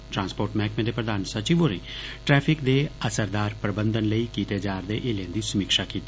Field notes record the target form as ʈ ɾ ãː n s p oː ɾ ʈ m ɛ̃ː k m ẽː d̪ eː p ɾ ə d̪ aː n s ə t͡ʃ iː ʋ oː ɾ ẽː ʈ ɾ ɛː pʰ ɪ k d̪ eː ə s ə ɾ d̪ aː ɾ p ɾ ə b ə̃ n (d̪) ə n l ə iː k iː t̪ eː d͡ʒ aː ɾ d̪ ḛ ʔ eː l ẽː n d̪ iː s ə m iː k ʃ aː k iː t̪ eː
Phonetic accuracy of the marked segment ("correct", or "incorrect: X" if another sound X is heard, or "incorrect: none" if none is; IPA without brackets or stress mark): correct